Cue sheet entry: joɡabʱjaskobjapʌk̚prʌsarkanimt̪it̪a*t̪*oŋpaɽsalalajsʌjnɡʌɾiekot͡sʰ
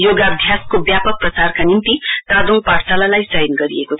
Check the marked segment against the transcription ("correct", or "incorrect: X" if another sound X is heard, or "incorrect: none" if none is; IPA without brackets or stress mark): incorrect: d̪